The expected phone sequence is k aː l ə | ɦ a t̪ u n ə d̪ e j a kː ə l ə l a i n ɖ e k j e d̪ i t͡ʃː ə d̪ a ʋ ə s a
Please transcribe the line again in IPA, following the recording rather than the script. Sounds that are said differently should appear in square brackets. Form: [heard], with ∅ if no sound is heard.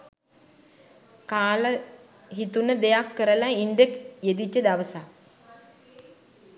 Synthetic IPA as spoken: k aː l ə | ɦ [i] t̪ u n ə d̪ e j a kː ə [ɾ] ə l a i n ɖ e k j e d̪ i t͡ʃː ə d̪ a ʋ ə s a